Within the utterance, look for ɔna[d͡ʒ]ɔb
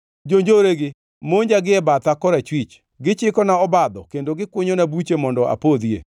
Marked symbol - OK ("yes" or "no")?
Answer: no